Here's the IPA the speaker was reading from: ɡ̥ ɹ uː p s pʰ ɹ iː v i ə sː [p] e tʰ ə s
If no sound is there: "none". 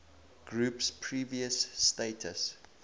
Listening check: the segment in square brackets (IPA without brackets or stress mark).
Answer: t